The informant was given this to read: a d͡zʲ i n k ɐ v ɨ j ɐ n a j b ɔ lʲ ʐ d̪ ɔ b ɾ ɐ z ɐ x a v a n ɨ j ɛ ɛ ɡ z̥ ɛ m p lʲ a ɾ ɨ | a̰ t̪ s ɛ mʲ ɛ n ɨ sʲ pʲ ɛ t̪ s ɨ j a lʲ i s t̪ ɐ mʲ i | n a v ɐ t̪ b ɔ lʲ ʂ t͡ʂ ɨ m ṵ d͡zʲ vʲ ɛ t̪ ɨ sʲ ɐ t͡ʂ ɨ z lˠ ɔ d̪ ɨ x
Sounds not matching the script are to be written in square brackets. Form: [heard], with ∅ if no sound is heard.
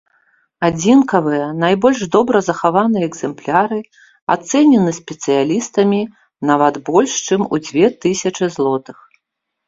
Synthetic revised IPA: a d͡zʲ i n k ɐ v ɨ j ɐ n a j b ɔ lʲ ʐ d̪ ɔ b ɾ ɐ z ɐ x a v a n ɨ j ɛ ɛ ɡ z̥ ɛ m p lʲ a ɾ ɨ | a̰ t̪ s ɛ [nʲ] ɛ n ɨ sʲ pʲ ɛ t̪ s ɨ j a lʲ i s t̪ ɐ mʲ i | n a v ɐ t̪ b ɔ lʲ ʂ t͡ʂ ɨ m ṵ d͡zʲ vʲ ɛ t̪ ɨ sʲ ɐ t͡ʂ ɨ z lˠ ɔ [t̪] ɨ x